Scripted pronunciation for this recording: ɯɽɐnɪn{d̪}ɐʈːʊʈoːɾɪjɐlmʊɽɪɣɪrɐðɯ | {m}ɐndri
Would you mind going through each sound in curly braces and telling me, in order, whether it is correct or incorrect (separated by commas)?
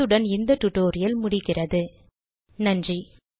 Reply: correct, incorrect